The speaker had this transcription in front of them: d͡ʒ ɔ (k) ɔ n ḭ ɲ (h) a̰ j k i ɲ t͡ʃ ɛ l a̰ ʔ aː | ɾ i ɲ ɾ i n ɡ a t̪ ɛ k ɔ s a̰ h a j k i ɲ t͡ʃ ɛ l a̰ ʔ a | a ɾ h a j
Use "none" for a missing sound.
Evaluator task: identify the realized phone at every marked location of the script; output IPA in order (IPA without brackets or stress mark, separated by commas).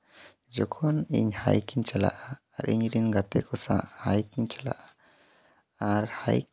kʰ, h